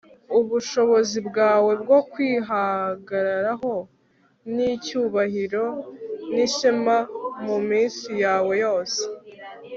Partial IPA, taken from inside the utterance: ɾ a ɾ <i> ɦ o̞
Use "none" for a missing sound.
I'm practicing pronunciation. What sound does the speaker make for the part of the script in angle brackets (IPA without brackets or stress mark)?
a